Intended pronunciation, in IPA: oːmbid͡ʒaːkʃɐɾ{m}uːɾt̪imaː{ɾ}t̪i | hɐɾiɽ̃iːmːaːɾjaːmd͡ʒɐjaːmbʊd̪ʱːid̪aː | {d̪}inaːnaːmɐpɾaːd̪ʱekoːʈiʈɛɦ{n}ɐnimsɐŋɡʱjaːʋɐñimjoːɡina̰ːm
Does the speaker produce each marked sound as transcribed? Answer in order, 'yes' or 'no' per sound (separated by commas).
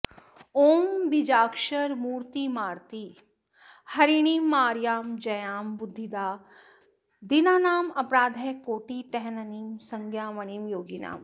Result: yes, yes, yes, yes